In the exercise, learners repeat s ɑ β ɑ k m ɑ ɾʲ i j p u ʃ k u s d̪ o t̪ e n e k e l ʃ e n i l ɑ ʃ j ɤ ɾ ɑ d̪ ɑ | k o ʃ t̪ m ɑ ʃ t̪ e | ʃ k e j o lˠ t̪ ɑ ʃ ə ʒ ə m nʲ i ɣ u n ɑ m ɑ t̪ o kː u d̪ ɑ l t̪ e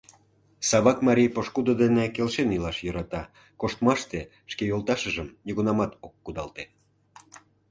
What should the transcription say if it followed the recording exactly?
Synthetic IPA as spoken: s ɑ β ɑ k m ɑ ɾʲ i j p o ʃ k u d̪ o d̪ e n e k e l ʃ e n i l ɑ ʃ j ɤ ɾ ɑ t̪ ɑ | k o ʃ t̪ m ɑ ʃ t̪ e | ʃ k e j o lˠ t̪ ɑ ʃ ə ʒ ə m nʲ i ɣ u n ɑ m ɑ t̪ o kː u d̪ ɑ l t̪ e